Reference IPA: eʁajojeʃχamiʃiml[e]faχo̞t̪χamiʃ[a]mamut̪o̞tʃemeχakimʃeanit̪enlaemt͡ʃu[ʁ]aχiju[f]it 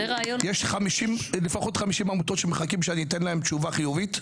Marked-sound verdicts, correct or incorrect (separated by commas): correct, incorrect, incorrect, incorrect